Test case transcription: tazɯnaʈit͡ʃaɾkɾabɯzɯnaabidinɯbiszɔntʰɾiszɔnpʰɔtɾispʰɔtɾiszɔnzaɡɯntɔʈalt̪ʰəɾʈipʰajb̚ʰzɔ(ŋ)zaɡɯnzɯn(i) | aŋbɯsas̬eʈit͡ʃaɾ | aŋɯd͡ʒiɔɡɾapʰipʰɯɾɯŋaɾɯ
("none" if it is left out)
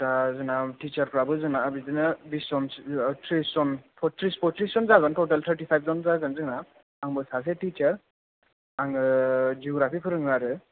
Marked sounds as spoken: n, a

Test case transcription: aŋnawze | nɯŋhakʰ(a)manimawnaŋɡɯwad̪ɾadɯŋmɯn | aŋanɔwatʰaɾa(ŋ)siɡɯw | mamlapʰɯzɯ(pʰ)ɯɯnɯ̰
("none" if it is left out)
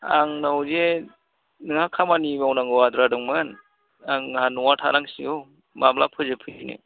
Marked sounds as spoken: a, ŋ, pʰ

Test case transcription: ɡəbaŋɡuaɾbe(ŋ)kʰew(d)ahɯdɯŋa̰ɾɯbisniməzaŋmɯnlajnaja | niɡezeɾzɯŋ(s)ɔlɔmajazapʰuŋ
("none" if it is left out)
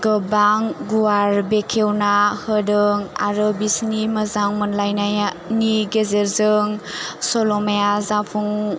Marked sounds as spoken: none, n, s

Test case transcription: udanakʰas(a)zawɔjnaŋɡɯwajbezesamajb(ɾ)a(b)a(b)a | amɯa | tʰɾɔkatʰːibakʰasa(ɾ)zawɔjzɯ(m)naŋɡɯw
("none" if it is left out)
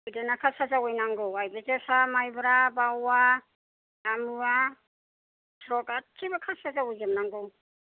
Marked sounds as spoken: a, ɾ, b, w, none, m

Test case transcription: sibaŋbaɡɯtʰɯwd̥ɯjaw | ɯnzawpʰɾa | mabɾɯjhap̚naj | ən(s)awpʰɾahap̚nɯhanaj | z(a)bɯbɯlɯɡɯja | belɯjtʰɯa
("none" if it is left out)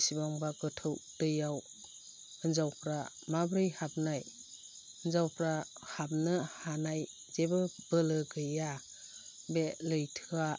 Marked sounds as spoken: z, e

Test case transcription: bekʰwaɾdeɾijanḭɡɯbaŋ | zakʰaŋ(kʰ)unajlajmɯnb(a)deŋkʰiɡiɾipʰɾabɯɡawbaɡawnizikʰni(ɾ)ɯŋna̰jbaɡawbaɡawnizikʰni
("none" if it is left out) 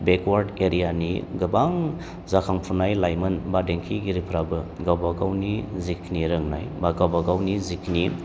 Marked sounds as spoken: pʰ, a, ɾ

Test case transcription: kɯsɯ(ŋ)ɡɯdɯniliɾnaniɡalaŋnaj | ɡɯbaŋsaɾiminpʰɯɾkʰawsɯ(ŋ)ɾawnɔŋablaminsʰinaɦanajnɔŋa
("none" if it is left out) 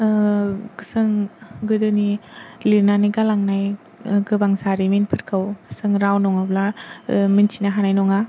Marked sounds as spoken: ŋ, ŋ

